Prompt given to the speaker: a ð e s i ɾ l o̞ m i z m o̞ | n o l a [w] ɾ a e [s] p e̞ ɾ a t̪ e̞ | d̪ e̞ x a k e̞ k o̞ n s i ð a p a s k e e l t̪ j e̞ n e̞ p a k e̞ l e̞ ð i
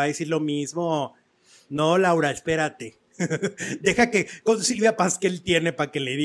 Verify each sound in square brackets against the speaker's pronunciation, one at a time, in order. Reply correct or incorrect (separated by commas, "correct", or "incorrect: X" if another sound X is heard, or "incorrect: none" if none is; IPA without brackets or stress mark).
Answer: correct, correct